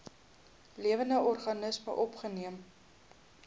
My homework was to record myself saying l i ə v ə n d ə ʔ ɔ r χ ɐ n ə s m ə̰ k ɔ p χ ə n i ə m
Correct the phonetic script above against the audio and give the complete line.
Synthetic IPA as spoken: l i ə v ə n d ə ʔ ɔ r χ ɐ n ə s m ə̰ ʔ ɔ p χ ə n i ə m